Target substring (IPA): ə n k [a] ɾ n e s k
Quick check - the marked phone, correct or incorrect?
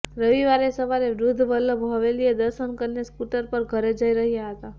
incorrect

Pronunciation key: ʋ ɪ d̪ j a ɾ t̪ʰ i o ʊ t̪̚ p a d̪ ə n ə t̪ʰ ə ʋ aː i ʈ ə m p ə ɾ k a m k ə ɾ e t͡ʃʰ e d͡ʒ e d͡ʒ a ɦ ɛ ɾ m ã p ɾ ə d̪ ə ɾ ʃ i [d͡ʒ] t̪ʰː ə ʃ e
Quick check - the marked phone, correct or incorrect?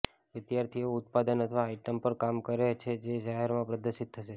incorrect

